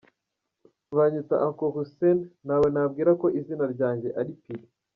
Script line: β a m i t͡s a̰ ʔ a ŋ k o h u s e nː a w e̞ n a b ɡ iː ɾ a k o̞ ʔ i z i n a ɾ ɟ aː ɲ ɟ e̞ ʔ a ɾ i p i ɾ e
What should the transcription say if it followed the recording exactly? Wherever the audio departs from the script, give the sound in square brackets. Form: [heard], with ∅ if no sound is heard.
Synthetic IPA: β a [ɲ] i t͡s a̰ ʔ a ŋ k o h u s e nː a w e̞ n a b ɡ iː ɾ a k o̞ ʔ i z i n a ɾ ɟ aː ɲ ɟ e̞ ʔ a ɾ i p i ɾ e